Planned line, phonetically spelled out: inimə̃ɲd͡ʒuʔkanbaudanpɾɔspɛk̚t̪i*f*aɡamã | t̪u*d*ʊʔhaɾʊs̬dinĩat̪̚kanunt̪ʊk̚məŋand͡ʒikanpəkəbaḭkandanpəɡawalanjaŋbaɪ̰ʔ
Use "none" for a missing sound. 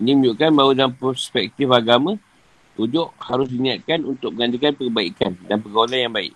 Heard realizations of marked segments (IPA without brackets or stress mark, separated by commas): f, d͡ʒ